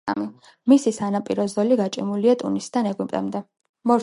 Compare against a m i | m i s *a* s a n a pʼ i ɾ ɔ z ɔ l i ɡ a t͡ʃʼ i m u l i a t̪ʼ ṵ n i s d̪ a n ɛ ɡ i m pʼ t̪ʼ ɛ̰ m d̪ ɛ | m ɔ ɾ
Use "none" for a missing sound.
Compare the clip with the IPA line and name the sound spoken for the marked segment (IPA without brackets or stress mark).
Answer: i